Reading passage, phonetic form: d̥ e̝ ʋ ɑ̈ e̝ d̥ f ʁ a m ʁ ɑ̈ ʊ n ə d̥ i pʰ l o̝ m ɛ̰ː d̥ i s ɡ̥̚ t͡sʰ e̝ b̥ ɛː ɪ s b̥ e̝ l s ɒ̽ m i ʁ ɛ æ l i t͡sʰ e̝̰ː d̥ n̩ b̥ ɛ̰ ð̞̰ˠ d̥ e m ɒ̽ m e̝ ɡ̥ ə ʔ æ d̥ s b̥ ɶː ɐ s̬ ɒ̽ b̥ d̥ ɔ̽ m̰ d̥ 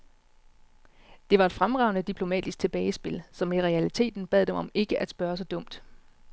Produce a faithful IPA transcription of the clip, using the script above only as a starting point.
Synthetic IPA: d̥ e̝ ʋ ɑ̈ e̝ d̥ f ʁ a m ʁ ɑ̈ ʊ n ə d̥ i pʰ l o̝ m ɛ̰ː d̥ i s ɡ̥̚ t͡sʰ e̝ b̥ ɛː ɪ s b̥ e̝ l s ɒ̽ m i ʁ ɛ æ l i t͡sʰ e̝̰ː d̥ n̩ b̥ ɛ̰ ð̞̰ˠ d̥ e m ɒ̽ m e̝ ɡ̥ ə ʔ æ d̥ s b̥ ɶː ɐ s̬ ɒ̽ d̥ ɔ̽ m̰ d̥